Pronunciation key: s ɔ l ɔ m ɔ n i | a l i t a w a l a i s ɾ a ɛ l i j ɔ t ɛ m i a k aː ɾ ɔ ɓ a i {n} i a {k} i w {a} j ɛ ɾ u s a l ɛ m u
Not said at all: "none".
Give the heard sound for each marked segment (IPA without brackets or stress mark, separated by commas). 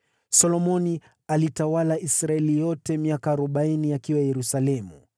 n, k, a